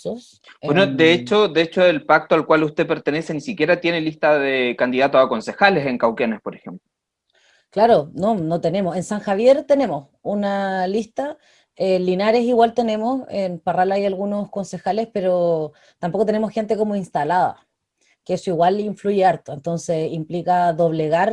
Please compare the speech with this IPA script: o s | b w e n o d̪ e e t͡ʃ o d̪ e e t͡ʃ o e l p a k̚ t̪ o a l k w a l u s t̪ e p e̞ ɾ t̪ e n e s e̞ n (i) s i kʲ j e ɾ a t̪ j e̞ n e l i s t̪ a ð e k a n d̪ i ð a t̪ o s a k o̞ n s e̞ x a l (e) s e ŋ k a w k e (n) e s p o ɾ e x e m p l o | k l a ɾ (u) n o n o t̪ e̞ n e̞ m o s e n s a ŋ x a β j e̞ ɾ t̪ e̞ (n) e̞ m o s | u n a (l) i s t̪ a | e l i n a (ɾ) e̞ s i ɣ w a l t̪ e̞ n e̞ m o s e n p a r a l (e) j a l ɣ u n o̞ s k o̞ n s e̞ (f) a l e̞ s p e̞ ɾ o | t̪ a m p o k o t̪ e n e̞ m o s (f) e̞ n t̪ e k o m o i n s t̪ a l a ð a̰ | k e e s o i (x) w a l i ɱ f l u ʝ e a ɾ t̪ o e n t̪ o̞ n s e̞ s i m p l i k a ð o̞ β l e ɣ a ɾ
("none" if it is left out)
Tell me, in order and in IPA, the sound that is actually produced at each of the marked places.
i, e, n, o, n, l, ɾ, a, x, x, ɣ

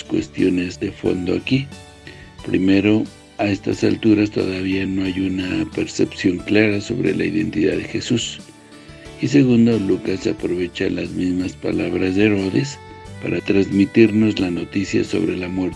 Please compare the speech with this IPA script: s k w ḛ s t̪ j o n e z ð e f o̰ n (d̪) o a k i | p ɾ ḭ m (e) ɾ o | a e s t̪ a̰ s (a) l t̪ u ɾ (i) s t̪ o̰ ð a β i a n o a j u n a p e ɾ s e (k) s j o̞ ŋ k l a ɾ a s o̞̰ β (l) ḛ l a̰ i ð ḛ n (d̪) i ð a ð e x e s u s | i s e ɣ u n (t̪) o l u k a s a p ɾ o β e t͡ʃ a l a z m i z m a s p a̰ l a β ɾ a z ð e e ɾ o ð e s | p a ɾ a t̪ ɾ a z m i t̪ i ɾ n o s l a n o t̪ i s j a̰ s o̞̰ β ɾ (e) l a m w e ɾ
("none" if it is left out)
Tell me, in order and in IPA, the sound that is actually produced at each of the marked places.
d̪, e, a, a, p, ɾ, t̪, d̪, e

